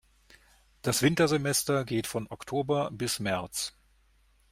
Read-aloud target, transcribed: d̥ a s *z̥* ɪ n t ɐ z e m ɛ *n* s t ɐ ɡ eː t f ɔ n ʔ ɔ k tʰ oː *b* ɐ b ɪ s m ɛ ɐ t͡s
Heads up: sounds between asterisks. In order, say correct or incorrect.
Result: incorrect, incorrect, correct

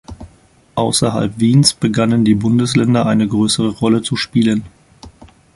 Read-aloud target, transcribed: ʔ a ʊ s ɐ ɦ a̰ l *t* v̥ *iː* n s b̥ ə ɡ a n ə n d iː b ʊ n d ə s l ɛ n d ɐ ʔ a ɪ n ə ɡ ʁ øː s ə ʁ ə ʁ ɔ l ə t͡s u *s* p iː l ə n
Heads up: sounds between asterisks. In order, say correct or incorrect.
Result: incorrect, correct, incorrect

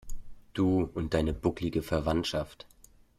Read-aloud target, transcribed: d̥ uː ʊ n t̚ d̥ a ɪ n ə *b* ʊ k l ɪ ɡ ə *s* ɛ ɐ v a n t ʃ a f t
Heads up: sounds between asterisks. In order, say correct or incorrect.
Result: correct, incorrect

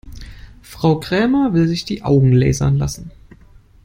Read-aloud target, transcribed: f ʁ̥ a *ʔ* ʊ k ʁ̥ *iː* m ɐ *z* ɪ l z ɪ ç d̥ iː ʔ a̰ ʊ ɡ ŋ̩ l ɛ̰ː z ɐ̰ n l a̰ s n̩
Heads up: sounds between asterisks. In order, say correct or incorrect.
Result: incorrect, incorrect, incorrect

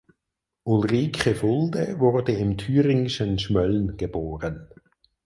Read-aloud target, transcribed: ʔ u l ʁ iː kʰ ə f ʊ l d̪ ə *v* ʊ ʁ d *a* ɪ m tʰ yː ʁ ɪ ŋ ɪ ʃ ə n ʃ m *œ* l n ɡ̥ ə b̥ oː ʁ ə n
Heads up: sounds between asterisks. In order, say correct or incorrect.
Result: correct, incorrect, correct

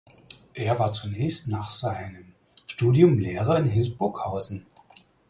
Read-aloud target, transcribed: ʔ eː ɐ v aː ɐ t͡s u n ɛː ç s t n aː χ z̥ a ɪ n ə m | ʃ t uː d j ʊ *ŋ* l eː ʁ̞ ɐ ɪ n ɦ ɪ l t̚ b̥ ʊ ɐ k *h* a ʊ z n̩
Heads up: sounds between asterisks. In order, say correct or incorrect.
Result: incorrect, correct

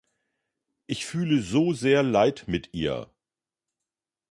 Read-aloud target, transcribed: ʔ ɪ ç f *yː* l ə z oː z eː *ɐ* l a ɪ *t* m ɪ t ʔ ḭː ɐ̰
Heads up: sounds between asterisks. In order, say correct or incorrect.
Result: correct, correct, correct

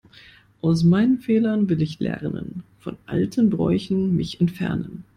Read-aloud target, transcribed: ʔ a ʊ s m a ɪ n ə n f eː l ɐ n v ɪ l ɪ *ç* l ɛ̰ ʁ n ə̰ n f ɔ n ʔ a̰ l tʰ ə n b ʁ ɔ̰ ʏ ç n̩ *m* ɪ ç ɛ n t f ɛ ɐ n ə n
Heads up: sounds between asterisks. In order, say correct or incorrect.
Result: correct, correct

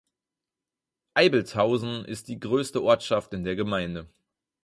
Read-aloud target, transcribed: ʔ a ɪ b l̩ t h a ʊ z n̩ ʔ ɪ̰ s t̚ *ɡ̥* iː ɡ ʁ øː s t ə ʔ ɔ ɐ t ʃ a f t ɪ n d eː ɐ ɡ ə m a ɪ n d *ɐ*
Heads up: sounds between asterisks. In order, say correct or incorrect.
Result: incorrect, incorrect

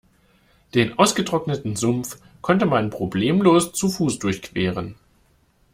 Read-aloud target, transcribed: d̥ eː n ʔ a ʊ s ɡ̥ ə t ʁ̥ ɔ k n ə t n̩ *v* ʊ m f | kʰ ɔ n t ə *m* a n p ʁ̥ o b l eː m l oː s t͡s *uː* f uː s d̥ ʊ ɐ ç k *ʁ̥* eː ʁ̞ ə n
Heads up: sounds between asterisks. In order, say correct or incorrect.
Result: incorrect, correct, incorrect, incorrect

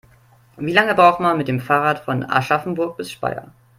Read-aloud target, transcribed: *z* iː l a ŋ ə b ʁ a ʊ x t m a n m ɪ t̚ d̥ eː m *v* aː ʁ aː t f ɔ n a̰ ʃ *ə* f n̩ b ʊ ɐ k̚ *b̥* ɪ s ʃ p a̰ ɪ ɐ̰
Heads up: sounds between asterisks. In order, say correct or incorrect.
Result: incorrect, incorrect, incorrect, correct

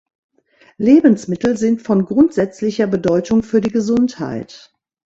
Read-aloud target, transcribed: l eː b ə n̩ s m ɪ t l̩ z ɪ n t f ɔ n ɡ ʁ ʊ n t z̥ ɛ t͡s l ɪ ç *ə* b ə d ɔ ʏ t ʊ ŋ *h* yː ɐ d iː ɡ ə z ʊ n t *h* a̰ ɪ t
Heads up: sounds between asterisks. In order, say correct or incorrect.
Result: incorrect, incorrect, correct

